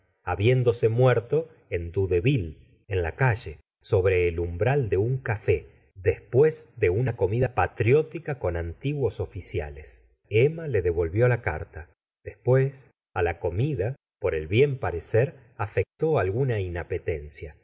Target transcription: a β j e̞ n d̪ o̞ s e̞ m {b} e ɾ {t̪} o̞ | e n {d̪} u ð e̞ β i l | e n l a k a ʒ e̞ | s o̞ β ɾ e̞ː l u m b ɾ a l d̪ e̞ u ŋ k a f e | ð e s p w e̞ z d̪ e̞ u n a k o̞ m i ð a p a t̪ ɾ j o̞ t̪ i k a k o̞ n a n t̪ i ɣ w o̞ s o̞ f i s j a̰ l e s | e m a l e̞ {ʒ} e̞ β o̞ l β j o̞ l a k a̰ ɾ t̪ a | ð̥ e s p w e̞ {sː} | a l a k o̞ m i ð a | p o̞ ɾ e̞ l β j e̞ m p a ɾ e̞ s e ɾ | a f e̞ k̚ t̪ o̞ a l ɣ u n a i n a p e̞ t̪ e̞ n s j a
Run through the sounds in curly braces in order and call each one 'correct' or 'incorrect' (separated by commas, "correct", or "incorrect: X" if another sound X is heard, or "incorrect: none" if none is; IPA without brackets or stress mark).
incorrect: w, correct, correct, incorrect: ð, incorrect: s